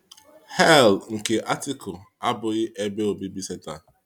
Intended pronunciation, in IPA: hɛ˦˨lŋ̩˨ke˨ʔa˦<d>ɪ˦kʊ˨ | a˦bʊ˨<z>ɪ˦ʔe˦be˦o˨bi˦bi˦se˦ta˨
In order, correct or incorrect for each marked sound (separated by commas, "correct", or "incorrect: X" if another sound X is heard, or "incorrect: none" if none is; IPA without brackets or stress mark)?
incorrect: t, incorrect: ɣ